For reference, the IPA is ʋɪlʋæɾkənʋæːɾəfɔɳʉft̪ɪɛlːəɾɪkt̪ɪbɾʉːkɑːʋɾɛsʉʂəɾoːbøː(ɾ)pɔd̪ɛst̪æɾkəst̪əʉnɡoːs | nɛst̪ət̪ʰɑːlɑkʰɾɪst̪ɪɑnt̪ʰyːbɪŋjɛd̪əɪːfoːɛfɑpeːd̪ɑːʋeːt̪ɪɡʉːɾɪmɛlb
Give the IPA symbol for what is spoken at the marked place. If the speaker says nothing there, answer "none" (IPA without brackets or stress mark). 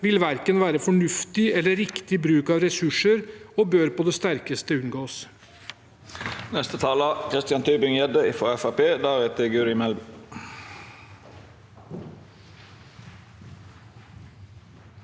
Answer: ɾ